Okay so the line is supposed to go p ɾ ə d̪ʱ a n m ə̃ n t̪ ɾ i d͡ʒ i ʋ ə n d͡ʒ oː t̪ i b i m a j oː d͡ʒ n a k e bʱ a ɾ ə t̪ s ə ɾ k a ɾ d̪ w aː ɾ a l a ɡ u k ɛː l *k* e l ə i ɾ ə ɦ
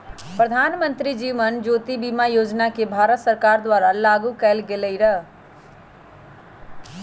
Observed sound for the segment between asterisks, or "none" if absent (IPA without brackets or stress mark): ɡ